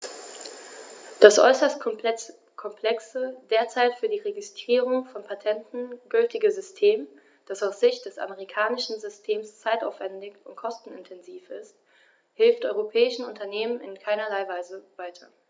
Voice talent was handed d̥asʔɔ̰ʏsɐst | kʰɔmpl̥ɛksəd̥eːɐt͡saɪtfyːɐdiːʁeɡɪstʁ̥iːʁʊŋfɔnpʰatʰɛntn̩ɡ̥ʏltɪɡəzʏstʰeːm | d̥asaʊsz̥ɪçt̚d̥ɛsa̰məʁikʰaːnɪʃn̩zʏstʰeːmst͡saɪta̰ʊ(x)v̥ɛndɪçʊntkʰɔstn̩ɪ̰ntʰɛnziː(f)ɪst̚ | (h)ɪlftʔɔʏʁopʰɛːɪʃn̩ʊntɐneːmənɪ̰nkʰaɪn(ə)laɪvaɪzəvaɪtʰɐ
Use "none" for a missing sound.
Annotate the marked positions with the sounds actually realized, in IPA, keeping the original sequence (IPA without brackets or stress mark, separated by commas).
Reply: f, f, h, ɐ